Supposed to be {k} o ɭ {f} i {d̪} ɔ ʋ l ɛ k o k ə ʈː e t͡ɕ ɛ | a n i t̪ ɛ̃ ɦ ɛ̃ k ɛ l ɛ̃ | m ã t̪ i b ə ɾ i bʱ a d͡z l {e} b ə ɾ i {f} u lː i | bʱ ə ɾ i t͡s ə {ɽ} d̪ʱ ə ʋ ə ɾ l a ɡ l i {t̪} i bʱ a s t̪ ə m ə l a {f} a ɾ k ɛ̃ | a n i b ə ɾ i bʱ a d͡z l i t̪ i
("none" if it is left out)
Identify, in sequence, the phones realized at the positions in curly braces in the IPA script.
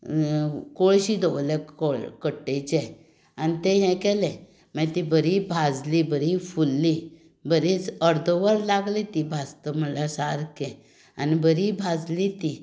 k, ɕ, d̪, i, f, ɾ, t̪, s

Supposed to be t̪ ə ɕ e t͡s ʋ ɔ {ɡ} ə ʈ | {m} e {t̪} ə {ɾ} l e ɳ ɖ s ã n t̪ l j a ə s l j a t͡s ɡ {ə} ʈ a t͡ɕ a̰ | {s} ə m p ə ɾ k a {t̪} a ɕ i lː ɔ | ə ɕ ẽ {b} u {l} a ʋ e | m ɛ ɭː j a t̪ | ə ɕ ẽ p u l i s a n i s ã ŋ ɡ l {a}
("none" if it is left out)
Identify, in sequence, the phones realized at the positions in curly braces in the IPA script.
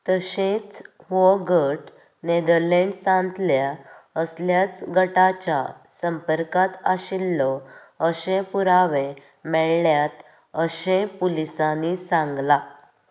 ɡ, n, d̪, ɾ, ə, s, t̪, p, ɾ, a

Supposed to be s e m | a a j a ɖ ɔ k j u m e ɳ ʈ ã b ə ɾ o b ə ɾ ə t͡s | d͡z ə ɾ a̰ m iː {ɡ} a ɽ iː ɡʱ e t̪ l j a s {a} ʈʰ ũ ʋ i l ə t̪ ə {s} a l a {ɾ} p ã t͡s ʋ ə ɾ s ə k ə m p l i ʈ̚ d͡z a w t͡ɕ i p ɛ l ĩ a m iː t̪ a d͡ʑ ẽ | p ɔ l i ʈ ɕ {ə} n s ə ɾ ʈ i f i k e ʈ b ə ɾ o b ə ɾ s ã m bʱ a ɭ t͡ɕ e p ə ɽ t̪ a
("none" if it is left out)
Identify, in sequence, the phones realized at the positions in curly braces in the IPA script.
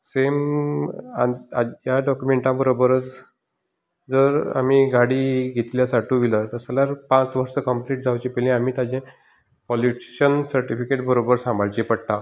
ɡ, a, s, ɾ, ə

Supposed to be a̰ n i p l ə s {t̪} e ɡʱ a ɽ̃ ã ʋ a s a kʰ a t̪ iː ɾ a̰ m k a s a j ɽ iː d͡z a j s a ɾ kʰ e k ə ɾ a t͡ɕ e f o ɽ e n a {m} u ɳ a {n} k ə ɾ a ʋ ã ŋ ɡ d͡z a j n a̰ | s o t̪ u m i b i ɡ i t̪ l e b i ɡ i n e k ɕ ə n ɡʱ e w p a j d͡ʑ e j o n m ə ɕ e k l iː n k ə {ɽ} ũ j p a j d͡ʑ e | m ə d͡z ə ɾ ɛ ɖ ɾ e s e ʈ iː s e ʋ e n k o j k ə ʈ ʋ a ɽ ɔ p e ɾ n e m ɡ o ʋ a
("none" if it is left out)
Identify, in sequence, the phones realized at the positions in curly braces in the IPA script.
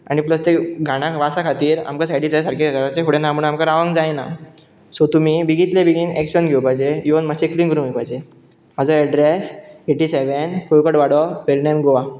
t̪, m, m, ɾ

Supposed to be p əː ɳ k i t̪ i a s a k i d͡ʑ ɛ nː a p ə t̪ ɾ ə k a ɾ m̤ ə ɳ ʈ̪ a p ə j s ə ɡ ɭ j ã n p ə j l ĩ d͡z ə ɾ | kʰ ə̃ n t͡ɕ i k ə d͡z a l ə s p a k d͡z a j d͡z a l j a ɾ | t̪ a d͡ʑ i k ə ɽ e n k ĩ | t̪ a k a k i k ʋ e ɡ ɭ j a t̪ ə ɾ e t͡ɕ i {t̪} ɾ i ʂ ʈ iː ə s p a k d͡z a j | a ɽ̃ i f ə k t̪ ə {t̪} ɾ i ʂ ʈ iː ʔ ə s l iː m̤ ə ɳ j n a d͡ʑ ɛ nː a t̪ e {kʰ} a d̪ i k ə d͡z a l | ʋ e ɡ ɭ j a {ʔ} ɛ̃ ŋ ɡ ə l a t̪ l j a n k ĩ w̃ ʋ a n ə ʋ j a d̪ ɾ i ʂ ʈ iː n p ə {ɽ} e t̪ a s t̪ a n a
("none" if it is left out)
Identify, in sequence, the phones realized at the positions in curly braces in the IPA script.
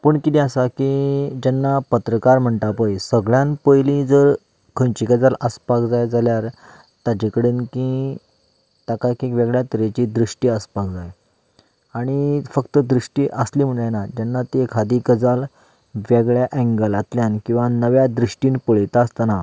d̪, d̪, kʰ, ʔ, ɭ

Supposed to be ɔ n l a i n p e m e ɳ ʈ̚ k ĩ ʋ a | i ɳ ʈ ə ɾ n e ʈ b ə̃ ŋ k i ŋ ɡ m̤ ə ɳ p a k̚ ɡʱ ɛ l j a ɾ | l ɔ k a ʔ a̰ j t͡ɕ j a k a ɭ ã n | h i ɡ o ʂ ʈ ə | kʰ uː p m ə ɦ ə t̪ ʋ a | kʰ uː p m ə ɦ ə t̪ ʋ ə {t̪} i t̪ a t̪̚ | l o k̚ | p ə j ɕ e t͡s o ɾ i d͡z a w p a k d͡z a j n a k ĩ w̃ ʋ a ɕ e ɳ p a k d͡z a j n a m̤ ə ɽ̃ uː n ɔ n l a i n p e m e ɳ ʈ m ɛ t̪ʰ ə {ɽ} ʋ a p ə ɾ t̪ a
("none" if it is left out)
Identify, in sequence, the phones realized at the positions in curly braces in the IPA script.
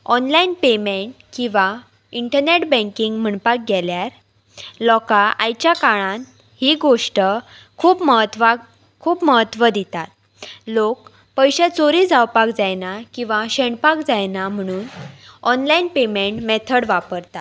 d̪, ɽ

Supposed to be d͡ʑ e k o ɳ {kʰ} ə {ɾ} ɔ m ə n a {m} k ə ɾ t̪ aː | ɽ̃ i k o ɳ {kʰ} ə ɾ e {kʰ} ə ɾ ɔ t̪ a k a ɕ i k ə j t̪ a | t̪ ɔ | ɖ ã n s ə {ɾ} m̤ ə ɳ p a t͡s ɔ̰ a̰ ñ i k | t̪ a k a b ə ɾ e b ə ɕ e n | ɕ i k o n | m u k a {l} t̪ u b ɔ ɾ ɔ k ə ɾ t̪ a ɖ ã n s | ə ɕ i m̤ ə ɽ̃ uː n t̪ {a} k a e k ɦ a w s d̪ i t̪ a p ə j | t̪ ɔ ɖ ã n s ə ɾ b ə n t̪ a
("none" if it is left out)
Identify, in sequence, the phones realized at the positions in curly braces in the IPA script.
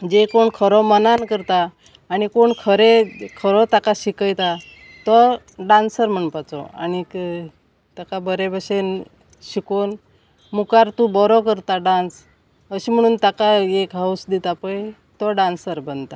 kʰ, ɾ, n, kʰ, kʰ, ɾ, ɾ, a

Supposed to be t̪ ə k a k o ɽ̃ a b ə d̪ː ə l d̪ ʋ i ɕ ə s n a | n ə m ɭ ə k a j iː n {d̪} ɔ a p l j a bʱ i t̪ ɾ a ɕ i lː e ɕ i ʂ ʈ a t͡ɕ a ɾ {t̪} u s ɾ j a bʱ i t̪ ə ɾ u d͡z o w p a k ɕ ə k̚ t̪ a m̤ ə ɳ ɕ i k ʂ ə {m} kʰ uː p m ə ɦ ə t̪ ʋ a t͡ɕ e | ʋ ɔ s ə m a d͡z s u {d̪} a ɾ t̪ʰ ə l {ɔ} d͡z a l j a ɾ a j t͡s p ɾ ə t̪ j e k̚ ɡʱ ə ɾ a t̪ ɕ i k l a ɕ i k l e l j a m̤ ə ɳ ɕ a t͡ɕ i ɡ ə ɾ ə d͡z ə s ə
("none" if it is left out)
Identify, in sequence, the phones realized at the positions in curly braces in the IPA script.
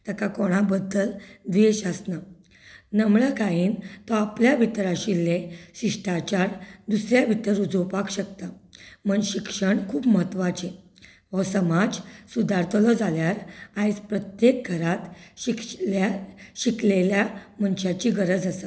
t̪, d̪, ɳ, d̪, ɔ

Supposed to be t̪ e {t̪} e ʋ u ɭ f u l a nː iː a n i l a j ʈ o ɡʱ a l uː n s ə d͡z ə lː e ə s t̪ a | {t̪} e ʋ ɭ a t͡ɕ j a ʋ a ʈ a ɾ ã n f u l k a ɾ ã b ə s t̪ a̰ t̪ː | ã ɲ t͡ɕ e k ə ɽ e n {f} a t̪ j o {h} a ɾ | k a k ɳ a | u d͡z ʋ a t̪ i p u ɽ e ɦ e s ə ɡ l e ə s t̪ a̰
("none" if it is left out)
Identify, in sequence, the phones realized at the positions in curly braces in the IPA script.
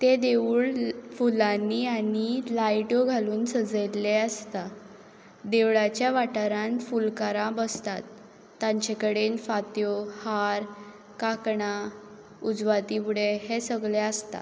d̪, d̪, f, h

